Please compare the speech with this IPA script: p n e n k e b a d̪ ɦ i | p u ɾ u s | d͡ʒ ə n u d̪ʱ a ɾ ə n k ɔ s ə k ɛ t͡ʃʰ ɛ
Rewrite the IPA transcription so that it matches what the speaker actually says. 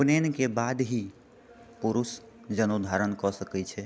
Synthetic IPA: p n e n k e b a d̪ ɦ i | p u ɾ u s | d͡ʒ ə n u d̪ʱ a ɾ ə n k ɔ s ə k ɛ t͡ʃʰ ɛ